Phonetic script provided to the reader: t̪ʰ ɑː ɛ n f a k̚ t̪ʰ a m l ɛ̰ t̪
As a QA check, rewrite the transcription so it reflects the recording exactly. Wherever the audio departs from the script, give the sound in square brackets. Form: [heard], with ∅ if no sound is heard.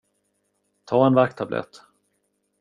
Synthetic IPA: t̪ʰ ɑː ɛ n [v] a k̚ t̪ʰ a [b] l ɛ̰ t̪